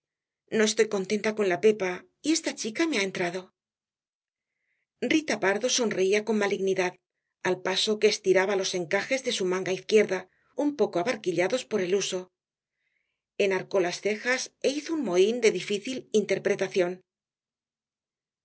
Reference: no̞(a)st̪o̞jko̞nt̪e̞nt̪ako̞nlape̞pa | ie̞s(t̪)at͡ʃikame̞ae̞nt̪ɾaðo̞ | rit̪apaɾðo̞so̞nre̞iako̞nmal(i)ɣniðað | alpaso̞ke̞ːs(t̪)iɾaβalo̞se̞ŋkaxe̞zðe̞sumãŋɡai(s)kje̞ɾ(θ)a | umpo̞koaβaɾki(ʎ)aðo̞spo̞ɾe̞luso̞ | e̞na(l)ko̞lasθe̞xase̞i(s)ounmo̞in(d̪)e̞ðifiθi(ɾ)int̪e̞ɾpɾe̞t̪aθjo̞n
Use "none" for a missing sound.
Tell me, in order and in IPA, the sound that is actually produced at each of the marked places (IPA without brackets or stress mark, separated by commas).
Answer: e, t̪, i, t̪, θ, ð, ʎ, ɾ, θ, d̪, l